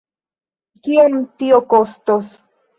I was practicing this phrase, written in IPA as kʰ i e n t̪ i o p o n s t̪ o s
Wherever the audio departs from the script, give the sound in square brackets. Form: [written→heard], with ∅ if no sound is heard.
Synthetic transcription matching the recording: [kʰ→k] i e n t̪ i o [p→k] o [n→∅] s t̪ o s